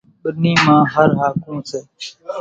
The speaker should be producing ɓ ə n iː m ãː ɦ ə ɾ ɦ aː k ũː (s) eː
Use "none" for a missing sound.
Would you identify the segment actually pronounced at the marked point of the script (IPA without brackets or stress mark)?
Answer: s